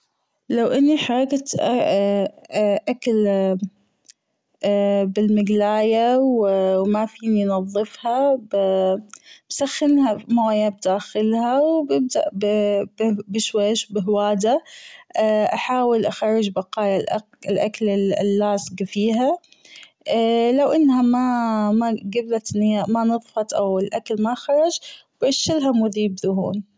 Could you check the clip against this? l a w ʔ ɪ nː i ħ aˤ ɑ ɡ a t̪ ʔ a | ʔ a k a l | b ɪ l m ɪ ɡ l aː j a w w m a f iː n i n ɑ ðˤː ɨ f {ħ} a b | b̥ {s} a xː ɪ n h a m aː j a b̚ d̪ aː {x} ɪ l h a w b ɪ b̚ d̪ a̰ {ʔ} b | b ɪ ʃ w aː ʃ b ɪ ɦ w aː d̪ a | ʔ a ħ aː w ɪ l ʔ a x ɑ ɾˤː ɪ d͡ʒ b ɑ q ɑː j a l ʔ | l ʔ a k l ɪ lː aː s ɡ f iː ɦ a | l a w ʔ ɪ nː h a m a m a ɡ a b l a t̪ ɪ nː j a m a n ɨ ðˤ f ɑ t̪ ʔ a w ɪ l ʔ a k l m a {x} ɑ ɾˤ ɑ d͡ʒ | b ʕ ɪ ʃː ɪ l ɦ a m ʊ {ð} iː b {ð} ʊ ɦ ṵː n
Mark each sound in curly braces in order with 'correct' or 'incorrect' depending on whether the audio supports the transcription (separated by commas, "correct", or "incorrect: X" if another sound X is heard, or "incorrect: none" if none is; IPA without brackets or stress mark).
incorrect: h, correct, correct, correct, correct, correct, correct